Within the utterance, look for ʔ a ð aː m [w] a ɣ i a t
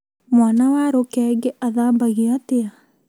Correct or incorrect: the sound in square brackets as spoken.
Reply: incorrect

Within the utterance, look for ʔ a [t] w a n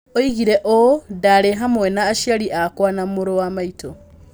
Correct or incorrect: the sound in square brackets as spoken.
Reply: incorrect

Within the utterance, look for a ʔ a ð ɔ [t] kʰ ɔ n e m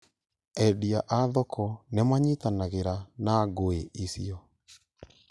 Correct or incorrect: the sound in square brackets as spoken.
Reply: incorrect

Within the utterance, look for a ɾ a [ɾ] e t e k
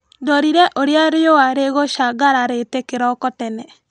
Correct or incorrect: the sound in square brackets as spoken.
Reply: correct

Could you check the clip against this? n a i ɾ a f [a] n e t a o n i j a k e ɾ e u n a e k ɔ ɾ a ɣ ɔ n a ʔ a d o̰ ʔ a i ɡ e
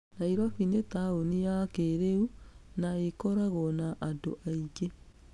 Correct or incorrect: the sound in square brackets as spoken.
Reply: incorrect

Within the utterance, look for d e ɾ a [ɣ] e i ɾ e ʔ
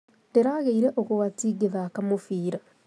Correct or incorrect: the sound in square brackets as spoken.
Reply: correct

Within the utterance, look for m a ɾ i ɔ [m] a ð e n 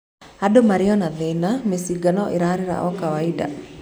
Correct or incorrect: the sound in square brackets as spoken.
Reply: incorrect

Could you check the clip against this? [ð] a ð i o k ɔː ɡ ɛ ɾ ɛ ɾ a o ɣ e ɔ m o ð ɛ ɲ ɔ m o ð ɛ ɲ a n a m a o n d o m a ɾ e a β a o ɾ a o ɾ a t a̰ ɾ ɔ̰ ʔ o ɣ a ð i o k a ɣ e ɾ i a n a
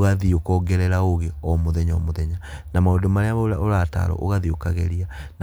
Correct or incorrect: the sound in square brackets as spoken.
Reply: incorrect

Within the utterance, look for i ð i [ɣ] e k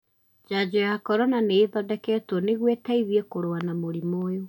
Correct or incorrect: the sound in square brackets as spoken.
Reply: incorrect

